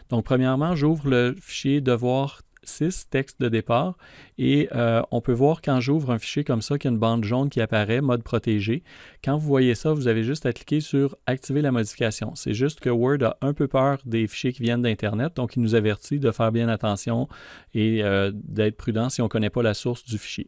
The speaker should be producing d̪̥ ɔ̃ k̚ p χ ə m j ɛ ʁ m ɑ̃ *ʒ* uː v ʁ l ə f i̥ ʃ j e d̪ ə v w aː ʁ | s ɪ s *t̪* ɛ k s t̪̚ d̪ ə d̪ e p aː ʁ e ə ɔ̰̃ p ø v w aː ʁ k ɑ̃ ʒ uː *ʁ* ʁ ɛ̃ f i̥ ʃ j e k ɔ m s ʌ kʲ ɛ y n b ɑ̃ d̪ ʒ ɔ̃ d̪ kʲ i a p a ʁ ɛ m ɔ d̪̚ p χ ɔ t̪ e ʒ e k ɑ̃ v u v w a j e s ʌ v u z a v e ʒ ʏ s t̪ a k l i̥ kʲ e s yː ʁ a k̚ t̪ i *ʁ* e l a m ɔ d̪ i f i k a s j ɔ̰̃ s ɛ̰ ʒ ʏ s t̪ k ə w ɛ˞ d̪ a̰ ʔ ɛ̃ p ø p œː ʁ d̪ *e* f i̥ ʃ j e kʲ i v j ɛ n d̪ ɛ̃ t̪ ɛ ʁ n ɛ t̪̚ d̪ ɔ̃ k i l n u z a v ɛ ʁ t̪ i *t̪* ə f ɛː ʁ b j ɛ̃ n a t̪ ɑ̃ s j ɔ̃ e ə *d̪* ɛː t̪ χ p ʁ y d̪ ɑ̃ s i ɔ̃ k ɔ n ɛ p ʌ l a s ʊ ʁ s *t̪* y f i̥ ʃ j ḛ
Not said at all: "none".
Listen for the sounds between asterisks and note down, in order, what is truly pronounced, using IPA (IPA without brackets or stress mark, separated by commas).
ʒ, t̪, v, v, e, d̪, d̪, d̪